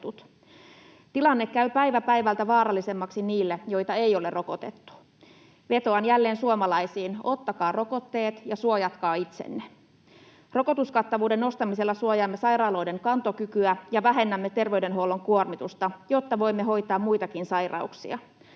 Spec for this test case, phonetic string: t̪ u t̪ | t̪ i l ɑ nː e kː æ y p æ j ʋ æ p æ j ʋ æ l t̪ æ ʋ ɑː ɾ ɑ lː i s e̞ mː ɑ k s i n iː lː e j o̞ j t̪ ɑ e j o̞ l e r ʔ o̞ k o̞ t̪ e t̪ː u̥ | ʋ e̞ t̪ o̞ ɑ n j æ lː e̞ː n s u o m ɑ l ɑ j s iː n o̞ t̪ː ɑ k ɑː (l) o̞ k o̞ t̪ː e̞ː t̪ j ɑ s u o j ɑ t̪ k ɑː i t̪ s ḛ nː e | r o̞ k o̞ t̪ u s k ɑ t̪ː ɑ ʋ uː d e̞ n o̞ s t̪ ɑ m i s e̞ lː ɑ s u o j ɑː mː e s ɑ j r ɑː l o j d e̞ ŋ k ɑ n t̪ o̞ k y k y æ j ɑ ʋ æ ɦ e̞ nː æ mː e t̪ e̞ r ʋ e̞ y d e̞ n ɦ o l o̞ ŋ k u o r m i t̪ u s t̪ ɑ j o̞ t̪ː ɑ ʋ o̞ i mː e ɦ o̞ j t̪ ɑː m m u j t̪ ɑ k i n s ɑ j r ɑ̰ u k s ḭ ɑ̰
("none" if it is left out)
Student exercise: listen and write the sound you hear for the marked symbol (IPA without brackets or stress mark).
r